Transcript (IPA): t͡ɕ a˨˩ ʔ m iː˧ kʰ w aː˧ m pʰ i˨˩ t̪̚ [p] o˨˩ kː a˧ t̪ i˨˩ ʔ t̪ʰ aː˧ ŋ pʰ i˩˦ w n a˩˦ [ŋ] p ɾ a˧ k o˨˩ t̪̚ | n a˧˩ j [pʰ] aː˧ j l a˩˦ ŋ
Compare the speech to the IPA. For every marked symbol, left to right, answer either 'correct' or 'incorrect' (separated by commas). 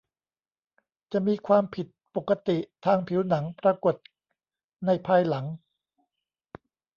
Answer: correct, correct, correct